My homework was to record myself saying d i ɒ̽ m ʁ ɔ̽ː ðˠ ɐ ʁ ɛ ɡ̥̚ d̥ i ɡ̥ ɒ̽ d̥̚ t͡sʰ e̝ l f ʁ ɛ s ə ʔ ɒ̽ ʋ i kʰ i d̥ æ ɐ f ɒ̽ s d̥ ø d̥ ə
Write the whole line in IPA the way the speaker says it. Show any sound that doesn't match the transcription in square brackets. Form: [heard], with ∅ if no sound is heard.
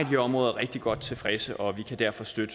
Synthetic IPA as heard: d i ɒ̽ m ʁ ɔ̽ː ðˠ ɐ ʁ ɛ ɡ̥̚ d̥ i ɡ̥ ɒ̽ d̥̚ t͡sʰ e̝ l f ʁ ɛ s ə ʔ ɒ̽ ʋ i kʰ [æ] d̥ æ ɐ f ɒ̽ s d̥ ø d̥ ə